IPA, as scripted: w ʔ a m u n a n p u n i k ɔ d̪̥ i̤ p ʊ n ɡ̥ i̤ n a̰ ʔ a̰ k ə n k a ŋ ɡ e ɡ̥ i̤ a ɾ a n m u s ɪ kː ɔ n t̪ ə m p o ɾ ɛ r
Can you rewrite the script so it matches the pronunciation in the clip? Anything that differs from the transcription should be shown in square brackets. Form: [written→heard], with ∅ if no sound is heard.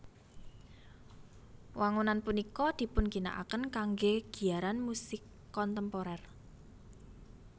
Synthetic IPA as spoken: w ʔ a [m→ŋ] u n a n p u n i k ɔ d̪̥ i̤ p ʊ n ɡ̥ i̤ n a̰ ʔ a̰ k ə n k a ŋ ɡ e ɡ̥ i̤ a ɾ a n m u s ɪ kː ɔ n t̪ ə m p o ɾ ɛ r